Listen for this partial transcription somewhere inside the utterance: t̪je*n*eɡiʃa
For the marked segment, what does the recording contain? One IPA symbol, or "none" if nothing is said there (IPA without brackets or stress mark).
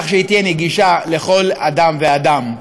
n